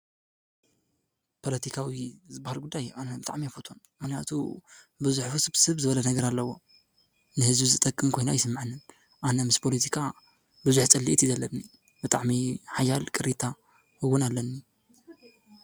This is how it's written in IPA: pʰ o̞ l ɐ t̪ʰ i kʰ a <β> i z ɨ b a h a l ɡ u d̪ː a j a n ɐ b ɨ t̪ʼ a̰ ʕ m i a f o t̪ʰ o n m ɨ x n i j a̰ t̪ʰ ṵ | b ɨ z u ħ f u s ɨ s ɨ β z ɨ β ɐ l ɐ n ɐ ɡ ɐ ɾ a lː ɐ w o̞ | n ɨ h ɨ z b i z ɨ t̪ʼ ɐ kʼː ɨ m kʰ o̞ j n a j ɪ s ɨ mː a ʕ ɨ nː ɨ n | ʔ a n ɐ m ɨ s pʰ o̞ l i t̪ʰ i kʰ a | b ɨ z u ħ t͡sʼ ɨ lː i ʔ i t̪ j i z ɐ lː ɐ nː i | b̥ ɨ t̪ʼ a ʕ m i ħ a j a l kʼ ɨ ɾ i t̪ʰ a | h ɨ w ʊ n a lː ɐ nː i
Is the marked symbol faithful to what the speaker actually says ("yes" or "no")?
no